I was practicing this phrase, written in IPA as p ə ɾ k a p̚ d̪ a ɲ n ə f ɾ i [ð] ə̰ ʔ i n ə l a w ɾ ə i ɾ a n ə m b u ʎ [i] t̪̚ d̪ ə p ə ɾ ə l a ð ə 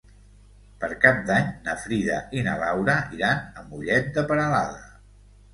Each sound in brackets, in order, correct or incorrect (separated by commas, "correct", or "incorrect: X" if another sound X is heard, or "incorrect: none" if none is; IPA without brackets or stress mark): correct, incorrect: ɛ